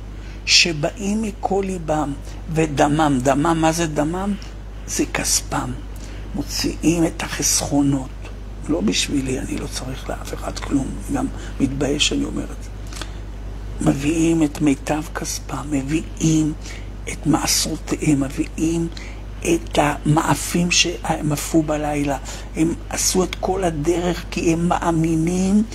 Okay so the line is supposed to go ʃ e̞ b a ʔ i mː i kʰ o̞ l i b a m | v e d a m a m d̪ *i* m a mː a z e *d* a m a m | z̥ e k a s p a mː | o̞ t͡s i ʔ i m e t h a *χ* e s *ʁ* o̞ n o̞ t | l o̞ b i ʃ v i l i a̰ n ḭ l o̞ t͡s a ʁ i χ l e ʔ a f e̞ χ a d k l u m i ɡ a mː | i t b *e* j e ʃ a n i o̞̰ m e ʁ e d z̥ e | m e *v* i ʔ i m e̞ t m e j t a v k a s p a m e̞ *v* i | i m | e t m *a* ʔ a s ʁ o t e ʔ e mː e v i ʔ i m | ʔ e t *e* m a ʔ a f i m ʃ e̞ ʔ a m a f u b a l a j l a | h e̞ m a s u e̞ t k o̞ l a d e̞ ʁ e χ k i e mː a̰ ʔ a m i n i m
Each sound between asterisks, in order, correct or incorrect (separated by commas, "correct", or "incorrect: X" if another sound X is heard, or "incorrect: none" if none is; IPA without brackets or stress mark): incorrect: a, correct, correct, incorrect: χ, incorrect: a, correct, correct, correct, incorrect: a